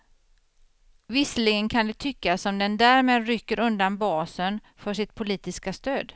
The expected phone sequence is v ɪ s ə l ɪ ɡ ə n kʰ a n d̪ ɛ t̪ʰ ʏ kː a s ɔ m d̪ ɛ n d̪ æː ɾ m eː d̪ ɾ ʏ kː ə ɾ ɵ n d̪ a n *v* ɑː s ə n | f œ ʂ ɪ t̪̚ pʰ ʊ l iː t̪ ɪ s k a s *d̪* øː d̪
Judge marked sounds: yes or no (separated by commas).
no, no